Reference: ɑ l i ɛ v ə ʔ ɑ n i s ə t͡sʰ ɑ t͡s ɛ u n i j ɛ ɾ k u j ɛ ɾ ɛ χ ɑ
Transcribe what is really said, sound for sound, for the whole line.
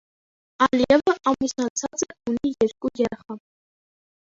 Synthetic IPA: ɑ l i ɛ v ə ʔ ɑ m i s ɑ t͡sʰ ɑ t͡s ɛ u n i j ɛ ɾ k u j ɛ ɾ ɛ χ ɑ